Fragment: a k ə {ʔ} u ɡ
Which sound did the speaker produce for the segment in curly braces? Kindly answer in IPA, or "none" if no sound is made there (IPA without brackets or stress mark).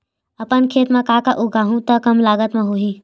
ʔ